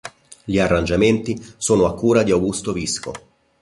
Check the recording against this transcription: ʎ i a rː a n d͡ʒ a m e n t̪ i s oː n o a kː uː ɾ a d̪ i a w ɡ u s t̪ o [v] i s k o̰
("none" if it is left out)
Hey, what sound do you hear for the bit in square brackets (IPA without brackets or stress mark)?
v